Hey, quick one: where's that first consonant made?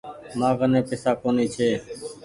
lips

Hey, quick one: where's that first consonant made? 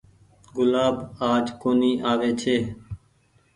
velum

